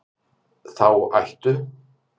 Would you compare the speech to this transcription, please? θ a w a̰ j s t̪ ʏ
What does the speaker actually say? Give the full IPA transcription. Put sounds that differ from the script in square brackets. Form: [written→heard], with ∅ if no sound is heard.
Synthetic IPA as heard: θ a w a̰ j [s→h] t̪ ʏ